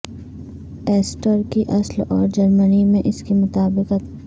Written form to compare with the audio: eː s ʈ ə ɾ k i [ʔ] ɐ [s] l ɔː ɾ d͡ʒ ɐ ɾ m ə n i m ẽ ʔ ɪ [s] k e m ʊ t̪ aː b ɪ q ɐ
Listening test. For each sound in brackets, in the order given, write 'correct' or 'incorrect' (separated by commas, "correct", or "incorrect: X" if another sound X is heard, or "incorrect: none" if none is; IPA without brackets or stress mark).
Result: correct, correct, correct